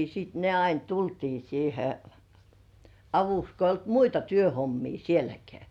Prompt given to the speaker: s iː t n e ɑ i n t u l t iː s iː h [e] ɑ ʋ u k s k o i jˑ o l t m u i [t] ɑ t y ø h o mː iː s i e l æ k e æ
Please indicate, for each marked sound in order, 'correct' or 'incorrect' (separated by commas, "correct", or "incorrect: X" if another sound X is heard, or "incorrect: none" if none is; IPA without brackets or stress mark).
correct, correct